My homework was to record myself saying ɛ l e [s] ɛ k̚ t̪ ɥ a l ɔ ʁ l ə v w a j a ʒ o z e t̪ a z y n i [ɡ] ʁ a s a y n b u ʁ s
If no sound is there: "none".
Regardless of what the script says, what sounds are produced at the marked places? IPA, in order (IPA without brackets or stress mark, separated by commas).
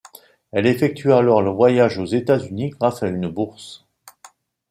f, ɡ